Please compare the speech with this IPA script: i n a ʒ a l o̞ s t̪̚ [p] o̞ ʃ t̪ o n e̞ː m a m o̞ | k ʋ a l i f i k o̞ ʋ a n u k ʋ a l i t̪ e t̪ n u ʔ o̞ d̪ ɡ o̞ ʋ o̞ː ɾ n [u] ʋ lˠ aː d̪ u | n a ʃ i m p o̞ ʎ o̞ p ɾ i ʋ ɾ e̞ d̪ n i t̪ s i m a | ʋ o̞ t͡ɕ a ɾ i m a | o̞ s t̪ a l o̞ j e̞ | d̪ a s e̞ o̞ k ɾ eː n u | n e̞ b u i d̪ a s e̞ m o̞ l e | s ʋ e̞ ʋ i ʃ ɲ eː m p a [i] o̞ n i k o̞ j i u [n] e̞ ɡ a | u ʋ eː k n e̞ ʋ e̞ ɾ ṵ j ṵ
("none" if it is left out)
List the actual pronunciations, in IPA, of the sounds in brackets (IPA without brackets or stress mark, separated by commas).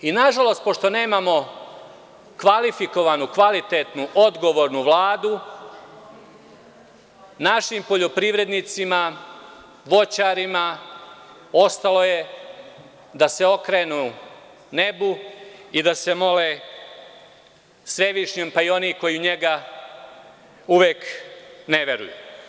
p, u, i, ɲ